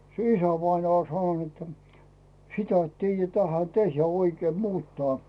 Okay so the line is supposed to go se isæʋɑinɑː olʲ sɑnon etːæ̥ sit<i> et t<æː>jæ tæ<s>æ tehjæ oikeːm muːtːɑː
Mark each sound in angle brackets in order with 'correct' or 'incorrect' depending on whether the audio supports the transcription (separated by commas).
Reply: incorrect, incorrect, incorrect